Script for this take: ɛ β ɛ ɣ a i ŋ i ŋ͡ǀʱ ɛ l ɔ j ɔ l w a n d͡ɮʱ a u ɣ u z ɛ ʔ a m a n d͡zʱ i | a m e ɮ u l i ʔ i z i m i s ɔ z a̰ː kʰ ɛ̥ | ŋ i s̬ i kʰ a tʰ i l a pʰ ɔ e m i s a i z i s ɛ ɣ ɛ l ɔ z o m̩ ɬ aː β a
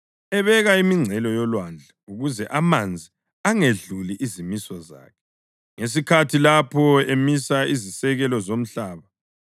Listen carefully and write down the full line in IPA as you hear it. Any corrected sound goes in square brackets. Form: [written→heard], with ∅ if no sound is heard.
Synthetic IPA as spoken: ɛ β ɛ ɣ a i [ŋ→m] i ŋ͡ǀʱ ɛ l ɔ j ɔ l w a n d͡ɮʱ a u ɣ u z ɛ ʔ a m a n d͡zʱ i | a [m→ŋ] e ɮ u l i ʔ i z i m i s ɔ z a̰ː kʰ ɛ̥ | ŋ [i→e] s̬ i kʰ a tʰ i l a pʰ ɔ e m i s a i z i s ɛ ɣ ɛ l ɔ z o m̩ ɬ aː β a